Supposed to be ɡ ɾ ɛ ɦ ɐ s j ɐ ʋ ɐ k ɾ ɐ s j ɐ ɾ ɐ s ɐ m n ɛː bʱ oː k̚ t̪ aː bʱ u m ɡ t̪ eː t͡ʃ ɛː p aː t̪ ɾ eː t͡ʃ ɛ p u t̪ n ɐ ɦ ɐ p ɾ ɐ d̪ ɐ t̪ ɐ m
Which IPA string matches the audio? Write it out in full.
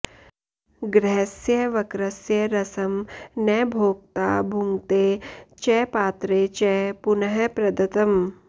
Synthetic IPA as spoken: ɡ ɾ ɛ ɦ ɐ s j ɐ ʋ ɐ k ɾ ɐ s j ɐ ɾ ɐ s ɐ m n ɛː bʱ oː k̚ t̪ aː bʱ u ŋ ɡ t̪ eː t͡ʃ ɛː p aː t̪ ɾ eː t͡ʃ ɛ p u n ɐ ɦ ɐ p ɾ ɐ d̪ ɐ t̪ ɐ m